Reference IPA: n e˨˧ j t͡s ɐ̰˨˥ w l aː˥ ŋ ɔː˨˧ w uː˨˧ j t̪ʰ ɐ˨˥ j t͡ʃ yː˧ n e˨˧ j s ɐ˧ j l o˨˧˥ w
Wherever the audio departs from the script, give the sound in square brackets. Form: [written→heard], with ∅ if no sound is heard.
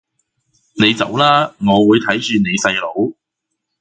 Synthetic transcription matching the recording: n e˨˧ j t͡s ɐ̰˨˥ w l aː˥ ŋ ɔː˨˧ w uː˨˧ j t̪ʰ ɐ˨˥ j t͡ʃ yː˧ n e˨˧ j s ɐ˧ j l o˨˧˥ w